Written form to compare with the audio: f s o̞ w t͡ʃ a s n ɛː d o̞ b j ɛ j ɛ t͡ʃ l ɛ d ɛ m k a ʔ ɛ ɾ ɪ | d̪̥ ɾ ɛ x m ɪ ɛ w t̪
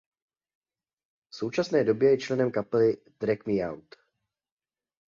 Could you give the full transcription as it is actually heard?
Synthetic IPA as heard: f s o̞ w t͡ʃ a s n ɛː d o̞ b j ɛ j ɛ t͡ʃ l ɛ n ɛ m k a p ɛ l ɪ | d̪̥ ɾ ɛ k m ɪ a w t̪